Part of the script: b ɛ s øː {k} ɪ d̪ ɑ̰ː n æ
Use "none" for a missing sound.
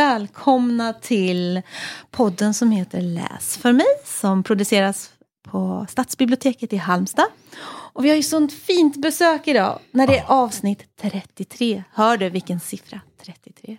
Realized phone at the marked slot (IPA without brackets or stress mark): k